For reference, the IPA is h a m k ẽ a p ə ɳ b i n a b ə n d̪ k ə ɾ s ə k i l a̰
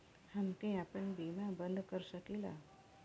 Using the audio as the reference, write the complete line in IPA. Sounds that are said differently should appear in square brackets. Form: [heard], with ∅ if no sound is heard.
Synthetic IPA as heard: h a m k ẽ a p ə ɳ b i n a b ə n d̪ k ə ɾ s ə k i l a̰